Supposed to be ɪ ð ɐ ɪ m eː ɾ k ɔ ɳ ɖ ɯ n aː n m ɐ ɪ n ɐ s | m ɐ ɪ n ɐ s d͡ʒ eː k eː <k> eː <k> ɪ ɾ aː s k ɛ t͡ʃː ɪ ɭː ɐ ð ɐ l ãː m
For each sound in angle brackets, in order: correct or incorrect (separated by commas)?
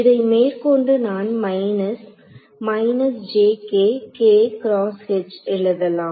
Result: correct, correct